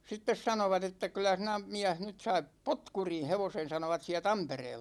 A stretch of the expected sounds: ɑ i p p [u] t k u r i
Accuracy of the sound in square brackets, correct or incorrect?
incorrect